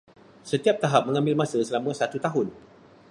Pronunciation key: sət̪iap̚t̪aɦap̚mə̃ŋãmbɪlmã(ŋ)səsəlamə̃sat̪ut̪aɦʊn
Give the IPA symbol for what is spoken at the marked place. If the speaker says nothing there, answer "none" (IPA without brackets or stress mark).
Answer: none